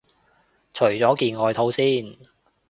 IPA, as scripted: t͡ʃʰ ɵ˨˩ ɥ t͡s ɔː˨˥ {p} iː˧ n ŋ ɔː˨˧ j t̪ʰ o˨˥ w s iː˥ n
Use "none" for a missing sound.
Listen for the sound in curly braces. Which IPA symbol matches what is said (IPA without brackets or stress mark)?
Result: k